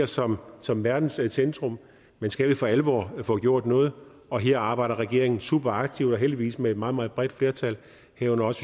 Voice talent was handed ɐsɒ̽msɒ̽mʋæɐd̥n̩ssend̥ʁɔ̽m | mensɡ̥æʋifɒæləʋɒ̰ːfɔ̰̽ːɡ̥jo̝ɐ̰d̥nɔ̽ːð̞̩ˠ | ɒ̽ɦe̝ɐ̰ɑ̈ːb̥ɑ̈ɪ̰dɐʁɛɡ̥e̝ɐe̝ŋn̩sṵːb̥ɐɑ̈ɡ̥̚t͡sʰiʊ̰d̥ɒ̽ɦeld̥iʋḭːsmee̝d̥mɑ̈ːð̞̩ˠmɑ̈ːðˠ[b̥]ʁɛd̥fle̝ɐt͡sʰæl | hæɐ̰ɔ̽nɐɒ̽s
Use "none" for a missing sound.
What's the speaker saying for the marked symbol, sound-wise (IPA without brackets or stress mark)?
b̥